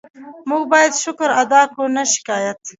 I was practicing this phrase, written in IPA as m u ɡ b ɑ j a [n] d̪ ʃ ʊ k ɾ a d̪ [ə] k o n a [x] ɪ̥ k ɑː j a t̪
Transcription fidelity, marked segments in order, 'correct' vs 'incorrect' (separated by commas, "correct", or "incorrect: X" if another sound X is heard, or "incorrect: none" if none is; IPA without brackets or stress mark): incorrect: none, incorrect: ɑ, incorrect: ʃ